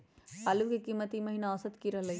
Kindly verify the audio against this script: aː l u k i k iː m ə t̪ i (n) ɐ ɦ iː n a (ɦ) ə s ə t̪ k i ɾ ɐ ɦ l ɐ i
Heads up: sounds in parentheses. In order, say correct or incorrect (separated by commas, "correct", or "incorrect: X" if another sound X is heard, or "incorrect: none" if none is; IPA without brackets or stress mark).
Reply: incorrect: m, incorrect: none